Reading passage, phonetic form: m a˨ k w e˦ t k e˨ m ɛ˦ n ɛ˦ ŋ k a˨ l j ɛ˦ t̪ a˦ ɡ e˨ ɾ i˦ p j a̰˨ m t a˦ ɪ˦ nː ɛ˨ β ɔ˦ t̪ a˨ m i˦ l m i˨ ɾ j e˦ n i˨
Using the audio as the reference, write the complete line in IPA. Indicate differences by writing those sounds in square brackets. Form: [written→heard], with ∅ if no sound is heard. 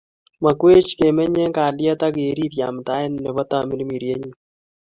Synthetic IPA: m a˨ k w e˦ [t→t͡ʃ] k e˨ m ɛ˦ [n→ɲ] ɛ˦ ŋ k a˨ l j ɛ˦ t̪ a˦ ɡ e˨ ɾ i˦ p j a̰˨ m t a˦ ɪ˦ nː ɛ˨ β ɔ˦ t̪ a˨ m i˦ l m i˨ ɾ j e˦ [n→ɲ] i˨